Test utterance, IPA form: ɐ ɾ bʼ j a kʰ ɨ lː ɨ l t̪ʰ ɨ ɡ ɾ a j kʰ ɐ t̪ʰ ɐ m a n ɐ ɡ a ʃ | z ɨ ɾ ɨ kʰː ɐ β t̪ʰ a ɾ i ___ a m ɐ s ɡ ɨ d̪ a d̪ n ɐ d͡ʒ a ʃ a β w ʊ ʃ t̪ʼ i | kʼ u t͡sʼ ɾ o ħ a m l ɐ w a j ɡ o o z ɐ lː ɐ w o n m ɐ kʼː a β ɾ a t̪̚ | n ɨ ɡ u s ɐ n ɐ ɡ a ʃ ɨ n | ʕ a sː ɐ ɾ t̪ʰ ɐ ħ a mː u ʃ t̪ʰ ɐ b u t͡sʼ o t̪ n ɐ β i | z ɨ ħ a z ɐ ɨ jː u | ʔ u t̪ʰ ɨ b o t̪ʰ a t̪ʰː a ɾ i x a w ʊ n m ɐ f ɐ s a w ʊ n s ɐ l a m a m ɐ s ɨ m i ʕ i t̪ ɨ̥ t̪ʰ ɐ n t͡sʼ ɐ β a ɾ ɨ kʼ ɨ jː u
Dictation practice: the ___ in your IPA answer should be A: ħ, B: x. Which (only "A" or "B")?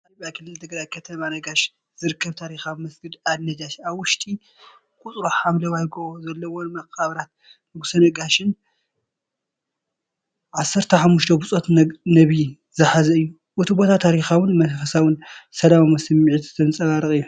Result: B